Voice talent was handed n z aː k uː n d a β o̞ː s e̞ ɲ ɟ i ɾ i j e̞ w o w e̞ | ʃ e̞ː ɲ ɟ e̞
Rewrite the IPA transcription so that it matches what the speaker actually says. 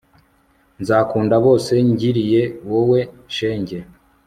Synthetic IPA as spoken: n z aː k uː n d a β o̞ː s e̞ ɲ ɟ i ɾ i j e̞ w o w e̞ | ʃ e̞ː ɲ ɟ e̞

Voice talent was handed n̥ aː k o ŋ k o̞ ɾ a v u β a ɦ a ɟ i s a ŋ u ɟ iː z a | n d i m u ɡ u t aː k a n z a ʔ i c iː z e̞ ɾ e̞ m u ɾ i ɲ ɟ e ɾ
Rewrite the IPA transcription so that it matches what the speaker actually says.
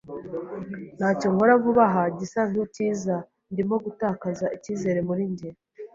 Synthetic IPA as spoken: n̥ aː c o ŋ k o̞ ɾ a v u β a ɦ a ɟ i s a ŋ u c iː z a | n d i m o ɡ u t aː k a z a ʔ i c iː z e̞ ɾ e̞ m u ɾ i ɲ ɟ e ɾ

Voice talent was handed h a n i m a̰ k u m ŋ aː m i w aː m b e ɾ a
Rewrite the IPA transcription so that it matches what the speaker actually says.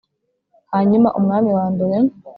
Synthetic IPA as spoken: h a ɲ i m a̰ ʔ u m ŋ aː m i w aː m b e ɾ e

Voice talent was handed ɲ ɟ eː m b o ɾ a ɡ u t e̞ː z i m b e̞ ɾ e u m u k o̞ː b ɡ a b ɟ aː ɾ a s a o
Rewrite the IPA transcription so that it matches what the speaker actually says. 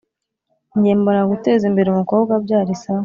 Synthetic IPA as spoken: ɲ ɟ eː m b o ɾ a ɡ u t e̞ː z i m b e̞ ɾ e u m u k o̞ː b ɡ a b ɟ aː ɾ i s a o

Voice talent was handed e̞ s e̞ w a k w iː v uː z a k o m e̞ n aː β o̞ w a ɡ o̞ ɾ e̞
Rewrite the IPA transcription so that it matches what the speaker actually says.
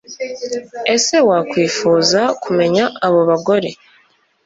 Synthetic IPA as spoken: e̞ s e̞ w a k w iː f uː z a k u m e̞ ɲ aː β o̞ β a ɡ o̞ ɾ e̞

